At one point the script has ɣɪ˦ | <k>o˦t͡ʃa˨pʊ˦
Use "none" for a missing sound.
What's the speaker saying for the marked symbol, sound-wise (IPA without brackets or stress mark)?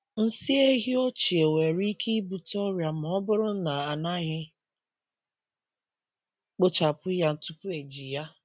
k͡p